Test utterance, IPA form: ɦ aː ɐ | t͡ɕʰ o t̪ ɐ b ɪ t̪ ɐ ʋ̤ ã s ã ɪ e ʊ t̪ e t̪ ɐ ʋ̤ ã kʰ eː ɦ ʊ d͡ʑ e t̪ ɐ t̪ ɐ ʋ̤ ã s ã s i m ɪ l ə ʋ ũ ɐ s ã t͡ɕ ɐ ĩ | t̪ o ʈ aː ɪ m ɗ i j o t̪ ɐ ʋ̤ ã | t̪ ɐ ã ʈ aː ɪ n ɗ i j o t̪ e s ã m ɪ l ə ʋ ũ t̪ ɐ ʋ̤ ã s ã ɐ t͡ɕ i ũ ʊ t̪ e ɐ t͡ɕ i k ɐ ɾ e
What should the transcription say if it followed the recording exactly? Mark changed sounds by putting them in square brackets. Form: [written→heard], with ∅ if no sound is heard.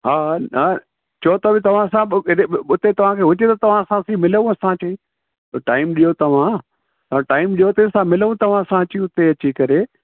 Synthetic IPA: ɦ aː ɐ | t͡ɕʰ o t̪ ɐ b ɪ t̪ ɐ ʋ̤ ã s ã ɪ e ʊ t̪ e t̪ ɐ ʋ̤ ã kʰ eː ɦ ʊ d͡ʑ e t̪ ɐ t̪ ɐ ʋ̤ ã s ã s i m ɪ l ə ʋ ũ ɐ s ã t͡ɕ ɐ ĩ | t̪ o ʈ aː ɪ m ɗ i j o t̪ ɐ ʋ̤ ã | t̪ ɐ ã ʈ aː ɪ [n→m] ɗ i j o t̪ e s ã m ɪ l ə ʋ ũ t̪ ɐ ʋ̤ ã s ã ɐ t͡ɕ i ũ ʊ t̪ e ɐ t͡ɕ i k ɐ ɾ e